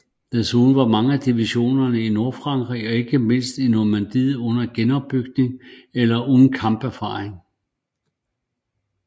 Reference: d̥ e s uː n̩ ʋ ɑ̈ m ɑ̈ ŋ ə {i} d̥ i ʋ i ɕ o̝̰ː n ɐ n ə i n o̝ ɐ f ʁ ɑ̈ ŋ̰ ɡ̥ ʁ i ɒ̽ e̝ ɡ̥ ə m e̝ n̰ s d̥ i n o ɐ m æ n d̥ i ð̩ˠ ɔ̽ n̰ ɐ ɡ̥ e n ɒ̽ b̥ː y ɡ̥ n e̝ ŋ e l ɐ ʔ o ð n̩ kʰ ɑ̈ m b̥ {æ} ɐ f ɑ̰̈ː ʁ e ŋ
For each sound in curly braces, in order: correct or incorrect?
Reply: incorrect: æ, correct

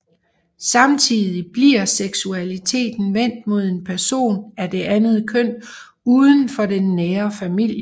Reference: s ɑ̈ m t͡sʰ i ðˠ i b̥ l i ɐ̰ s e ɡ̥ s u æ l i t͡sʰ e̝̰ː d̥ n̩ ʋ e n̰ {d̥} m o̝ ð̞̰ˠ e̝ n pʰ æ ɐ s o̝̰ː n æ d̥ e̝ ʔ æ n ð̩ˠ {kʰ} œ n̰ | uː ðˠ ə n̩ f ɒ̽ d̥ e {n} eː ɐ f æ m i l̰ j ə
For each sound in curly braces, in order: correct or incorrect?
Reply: correct, correct, incorrect: nː

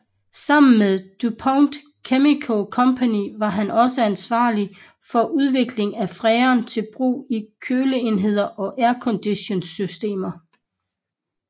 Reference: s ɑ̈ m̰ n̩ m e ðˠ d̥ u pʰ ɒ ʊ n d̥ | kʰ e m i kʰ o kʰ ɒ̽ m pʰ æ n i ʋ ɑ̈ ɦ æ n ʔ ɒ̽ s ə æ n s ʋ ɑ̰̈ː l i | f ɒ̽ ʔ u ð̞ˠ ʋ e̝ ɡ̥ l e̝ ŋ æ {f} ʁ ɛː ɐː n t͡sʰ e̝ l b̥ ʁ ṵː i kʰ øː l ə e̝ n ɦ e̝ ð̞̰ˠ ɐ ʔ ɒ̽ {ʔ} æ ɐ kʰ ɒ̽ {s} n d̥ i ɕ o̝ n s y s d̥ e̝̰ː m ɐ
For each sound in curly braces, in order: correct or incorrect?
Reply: correct, correct, incorrect: none

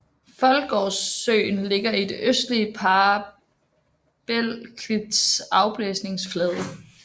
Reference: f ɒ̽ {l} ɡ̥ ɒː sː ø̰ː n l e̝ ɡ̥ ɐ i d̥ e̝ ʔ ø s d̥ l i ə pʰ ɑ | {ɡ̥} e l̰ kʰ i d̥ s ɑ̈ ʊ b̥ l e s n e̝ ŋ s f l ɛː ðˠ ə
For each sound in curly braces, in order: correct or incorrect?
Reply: correct, incorrect: b̥

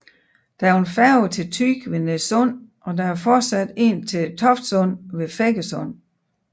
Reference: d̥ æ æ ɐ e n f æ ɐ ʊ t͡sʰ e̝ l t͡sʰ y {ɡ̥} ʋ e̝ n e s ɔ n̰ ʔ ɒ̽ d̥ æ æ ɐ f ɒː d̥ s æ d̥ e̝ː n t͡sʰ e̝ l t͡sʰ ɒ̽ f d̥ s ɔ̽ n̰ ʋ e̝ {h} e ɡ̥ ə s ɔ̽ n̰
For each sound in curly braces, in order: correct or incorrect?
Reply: correct, incorrect: f

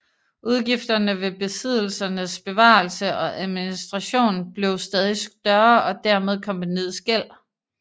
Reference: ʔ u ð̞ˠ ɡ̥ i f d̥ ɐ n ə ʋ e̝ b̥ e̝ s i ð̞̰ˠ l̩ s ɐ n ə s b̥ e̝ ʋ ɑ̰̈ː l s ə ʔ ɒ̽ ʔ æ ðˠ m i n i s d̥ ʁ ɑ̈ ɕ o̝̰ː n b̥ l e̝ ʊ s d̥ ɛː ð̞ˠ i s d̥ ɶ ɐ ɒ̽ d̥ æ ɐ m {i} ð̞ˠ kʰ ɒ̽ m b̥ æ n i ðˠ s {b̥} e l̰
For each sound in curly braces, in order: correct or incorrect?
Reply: incorrect: e, incorrect: ɡ̥

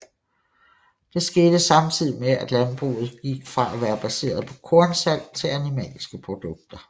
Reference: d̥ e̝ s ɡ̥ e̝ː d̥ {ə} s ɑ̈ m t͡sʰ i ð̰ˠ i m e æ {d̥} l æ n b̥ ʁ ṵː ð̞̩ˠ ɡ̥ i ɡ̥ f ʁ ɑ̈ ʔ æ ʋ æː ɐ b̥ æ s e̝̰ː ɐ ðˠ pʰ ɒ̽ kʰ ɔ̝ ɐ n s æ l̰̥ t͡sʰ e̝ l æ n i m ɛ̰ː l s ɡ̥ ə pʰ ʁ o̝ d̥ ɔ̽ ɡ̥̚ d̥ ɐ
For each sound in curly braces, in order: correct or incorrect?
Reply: correct, correct

